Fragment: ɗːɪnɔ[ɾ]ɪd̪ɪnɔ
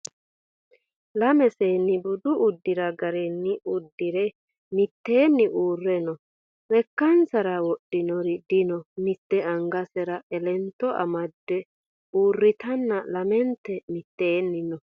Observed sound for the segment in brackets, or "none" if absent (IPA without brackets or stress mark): ɾ